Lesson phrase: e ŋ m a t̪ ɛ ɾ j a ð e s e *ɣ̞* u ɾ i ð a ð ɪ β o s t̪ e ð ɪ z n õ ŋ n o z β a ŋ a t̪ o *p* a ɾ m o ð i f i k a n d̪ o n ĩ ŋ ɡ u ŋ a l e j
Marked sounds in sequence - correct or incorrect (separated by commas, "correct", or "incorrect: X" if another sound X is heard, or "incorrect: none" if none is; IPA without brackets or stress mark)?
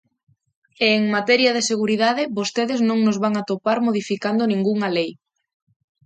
correct, correct